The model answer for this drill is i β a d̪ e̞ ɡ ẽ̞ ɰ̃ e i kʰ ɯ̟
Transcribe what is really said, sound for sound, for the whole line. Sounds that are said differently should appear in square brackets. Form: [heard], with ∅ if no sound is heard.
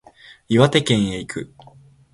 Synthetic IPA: i β a [t̪] e̞ [k] ẽ̞ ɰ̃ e i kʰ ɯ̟